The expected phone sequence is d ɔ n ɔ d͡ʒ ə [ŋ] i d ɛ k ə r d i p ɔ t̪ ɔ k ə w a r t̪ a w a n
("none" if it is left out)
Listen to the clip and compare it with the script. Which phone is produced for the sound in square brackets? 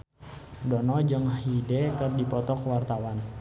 ŋ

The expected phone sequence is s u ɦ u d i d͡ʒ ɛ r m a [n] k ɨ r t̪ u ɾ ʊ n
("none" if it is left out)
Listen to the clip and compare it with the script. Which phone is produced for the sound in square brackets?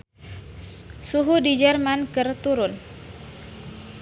n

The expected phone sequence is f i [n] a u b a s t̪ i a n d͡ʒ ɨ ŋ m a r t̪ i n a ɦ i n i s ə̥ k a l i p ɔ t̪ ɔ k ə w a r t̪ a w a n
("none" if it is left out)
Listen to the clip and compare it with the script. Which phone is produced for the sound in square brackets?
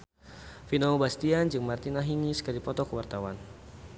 n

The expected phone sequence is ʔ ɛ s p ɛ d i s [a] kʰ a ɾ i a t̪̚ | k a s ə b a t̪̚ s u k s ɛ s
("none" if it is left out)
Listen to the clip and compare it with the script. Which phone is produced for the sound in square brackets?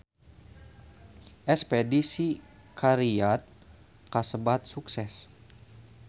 i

